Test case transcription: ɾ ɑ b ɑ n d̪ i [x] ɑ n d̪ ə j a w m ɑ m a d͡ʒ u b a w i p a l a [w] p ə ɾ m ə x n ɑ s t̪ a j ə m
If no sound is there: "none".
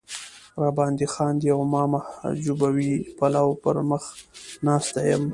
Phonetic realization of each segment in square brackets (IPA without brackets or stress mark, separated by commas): x, w